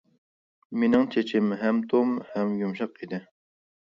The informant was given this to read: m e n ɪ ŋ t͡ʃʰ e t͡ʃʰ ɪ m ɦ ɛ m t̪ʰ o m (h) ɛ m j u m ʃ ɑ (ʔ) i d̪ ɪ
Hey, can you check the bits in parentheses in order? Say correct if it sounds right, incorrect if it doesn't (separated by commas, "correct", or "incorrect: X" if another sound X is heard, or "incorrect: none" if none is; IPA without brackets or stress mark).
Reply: correct, incorrect: q